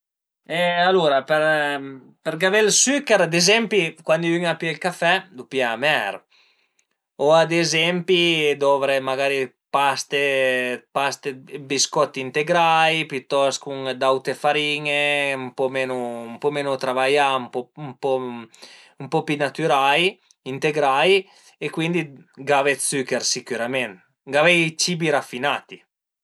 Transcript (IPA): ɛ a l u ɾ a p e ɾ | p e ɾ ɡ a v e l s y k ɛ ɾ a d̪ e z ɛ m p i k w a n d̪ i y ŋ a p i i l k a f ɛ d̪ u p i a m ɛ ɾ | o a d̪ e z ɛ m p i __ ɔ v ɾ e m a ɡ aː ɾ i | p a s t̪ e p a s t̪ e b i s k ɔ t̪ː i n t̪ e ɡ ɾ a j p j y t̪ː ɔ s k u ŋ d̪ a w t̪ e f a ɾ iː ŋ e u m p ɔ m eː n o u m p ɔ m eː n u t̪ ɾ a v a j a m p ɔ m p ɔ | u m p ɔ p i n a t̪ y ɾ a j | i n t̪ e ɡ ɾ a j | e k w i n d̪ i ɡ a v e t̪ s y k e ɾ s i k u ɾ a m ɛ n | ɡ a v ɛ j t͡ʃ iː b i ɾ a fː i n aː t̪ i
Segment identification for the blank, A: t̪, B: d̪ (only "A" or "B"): B